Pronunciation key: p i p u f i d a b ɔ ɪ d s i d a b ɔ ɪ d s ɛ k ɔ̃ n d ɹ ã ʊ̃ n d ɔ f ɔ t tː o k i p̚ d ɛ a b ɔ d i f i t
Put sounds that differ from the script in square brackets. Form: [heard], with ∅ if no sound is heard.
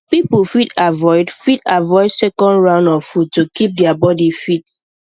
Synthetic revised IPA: p i p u f i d a [v] ɔ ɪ d [f] i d a [v] ɔ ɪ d s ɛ k ɔ̃ n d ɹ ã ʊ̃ n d ɔ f [u] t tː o k i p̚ d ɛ a b ɔ d i f i t